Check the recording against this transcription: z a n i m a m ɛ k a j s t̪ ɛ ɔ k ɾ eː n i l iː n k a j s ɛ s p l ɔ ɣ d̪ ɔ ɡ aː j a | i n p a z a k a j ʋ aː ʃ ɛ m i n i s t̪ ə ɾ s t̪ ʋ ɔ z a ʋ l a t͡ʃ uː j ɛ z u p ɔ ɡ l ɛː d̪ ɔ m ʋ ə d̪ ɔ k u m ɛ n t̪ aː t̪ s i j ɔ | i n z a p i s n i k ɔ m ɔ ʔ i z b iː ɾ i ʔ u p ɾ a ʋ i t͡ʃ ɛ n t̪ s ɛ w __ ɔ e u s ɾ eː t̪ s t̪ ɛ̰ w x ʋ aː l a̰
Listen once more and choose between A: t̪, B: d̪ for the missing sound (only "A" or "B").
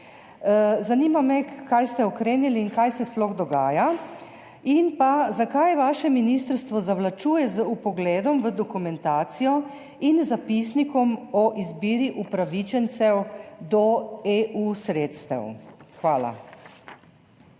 B